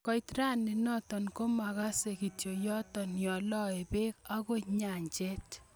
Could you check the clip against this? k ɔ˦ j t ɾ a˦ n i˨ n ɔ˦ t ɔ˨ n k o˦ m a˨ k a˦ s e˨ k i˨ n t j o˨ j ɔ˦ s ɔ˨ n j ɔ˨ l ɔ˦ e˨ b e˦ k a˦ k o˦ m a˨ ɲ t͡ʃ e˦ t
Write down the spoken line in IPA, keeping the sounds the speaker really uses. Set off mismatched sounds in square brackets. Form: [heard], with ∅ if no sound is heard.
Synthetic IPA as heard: k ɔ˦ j t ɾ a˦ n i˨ n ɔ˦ t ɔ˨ n k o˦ m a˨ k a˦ s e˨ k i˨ [∅] t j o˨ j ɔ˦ [t] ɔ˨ n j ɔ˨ l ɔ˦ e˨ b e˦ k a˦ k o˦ [ɲ] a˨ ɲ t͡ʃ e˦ t